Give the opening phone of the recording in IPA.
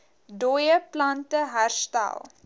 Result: d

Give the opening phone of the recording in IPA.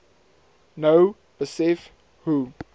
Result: n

